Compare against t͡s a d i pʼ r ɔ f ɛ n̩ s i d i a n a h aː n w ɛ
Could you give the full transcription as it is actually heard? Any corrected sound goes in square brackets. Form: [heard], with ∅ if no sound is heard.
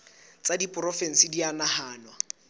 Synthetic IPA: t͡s a d i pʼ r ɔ f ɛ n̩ s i d i a n a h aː n w [a]

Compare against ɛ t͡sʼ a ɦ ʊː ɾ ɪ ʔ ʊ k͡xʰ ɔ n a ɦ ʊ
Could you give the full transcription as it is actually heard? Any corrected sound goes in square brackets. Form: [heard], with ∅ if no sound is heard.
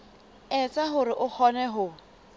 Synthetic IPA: ɛ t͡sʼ a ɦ [ʊ] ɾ ɪ ʔ ʊ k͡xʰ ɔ n [ɛ] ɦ ʊ

